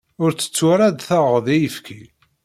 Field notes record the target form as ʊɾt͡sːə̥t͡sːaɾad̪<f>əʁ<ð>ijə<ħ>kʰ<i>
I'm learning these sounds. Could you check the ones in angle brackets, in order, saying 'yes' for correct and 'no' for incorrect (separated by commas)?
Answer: no, yes, no, yes